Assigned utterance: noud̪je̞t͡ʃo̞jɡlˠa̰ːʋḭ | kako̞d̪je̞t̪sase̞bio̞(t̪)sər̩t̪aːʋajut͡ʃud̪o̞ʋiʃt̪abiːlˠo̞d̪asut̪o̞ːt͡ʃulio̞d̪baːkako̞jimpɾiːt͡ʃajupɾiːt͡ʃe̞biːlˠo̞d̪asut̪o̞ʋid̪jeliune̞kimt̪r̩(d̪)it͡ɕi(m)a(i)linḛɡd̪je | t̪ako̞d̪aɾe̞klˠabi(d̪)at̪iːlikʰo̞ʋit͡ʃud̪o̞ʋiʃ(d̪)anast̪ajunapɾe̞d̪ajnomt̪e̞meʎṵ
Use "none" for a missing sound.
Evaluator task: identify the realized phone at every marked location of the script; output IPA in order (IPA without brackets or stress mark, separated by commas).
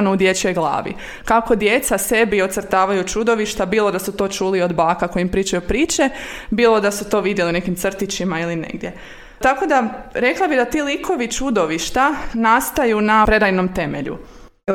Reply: t̪, t̪, m, i, d̪, t̪